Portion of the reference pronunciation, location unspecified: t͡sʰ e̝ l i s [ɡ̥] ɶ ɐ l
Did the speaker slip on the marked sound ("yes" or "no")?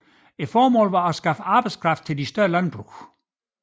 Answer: yes